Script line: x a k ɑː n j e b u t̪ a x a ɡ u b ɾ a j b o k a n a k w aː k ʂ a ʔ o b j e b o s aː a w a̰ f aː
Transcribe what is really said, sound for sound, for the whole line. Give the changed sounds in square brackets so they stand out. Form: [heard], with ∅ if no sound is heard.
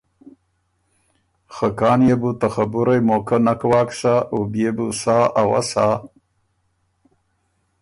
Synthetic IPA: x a k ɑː n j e b u t̪ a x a [b] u [∅] ɾ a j [m] o k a n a k w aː k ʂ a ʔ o b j e b [u] s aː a w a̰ [s] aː